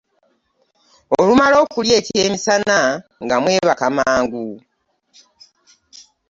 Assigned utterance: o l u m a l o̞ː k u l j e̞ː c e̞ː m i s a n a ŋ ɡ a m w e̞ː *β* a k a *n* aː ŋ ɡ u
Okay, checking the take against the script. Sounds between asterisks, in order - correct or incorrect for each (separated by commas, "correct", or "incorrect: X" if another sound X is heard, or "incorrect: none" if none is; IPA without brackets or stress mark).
correct, incorrect: m